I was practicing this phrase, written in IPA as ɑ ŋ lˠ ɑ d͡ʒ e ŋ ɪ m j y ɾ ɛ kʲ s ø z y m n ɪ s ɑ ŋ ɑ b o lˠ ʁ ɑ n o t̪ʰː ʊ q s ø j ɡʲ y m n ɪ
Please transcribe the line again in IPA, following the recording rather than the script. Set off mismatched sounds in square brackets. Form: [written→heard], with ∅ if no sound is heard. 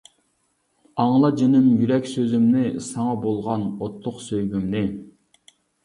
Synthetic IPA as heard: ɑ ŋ lˠ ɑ d͡ʒ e [ŋ→n] ɪ m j y ɾ ɛ kʲ s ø z y m n ɪ s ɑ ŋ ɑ b o lˠ ʁ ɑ n o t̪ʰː ʊ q s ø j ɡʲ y m n ɪ